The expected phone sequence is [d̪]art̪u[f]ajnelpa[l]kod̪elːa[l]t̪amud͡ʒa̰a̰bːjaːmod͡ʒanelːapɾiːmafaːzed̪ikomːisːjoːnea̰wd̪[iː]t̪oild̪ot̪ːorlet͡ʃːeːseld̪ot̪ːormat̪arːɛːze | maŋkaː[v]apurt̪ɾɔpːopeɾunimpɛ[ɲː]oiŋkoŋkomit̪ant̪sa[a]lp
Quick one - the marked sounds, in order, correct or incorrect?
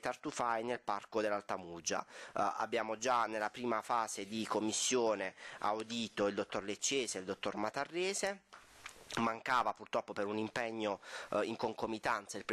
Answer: incorrect, correct, incorrect, correct, correct, correct, correct, incorrect

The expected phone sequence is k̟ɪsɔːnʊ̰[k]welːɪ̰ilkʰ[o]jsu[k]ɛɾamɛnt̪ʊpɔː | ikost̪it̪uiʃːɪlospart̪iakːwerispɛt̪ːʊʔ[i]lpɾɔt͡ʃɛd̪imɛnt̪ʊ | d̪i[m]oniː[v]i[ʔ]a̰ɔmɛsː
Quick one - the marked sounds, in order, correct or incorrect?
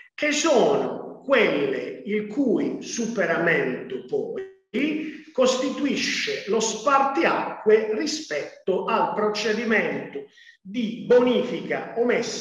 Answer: correct, incorrect, incorrect, incorrect, incorrect, incorrect, incorrect

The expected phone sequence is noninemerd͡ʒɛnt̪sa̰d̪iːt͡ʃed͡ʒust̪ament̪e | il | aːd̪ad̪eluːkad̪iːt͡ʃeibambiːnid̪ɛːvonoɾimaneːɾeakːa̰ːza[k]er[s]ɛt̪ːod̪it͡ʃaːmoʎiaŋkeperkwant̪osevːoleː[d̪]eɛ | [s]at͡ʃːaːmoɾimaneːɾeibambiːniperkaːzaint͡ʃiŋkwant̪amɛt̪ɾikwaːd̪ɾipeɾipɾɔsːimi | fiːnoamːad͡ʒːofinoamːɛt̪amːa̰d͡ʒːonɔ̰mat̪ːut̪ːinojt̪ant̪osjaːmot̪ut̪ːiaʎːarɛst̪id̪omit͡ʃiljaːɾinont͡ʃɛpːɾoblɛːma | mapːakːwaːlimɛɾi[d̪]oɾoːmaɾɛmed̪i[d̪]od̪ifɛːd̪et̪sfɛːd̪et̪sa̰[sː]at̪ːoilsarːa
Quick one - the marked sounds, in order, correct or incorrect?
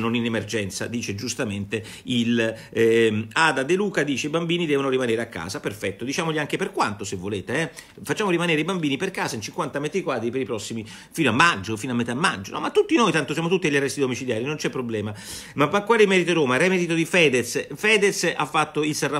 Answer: incorrect, incorrect, incorrect, incorrect, incorrect, incorrect, incorrect

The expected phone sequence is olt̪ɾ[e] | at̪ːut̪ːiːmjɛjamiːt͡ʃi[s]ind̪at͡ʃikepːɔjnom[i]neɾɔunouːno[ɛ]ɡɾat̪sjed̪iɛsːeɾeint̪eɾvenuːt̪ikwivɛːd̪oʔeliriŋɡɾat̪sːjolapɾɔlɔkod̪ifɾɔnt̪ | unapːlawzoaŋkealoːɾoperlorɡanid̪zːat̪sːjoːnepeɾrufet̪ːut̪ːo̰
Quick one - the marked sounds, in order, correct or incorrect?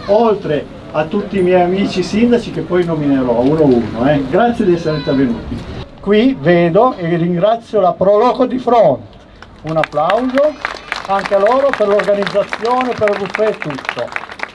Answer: correct, correct, correct, correct

